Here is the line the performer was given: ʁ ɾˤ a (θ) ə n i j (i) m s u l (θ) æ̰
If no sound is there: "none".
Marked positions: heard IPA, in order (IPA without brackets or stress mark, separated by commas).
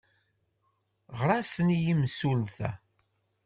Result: s, i, θ